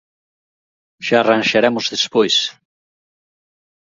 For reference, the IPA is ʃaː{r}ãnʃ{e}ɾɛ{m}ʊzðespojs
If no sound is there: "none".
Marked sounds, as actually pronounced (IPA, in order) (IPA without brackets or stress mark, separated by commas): r, a, m